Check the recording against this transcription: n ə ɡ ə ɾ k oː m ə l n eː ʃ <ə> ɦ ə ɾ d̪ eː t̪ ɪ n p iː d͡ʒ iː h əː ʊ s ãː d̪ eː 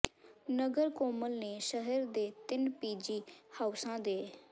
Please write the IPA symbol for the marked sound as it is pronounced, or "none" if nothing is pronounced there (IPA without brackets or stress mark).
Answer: ə